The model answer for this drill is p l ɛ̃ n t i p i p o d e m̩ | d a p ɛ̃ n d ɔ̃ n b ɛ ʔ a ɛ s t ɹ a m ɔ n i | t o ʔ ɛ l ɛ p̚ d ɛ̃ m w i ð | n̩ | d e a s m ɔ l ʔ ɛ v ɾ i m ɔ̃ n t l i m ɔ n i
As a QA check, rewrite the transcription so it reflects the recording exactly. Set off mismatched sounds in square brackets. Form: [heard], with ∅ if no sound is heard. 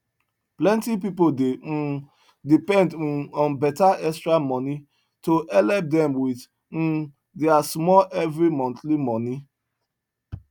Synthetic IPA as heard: p l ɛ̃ n t i p i p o d e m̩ | d [i] p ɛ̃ n d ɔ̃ n b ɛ [t] a ɛ s t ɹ a m ɔ n i | t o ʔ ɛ l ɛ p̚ d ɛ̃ m w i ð | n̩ | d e a s m ɔ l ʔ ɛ v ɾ i m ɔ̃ n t l i m ɔ n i